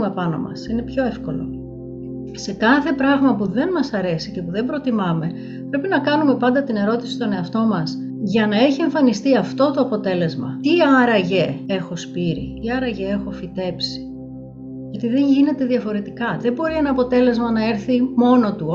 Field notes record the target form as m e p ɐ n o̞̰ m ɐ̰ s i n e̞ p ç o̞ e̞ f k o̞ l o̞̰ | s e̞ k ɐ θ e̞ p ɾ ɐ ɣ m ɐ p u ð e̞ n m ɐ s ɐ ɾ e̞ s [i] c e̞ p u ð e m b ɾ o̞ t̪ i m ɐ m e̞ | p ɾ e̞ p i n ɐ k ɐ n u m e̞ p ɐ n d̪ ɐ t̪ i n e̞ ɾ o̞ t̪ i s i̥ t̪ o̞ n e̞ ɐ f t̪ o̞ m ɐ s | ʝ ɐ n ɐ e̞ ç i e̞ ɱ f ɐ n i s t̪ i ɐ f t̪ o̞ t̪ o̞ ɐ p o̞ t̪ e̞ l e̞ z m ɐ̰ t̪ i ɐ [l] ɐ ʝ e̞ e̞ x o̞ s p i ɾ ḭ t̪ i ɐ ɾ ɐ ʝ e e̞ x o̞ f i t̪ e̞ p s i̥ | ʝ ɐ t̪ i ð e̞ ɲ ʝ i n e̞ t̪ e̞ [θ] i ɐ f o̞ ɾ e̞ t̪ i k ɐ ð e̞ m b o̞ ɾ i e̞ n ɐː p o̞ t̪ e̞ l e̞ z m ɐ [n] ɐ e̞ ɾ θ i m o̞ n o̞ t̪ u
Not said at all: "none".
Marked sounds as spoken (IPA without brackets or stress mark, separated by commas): i, ɾ, ð, n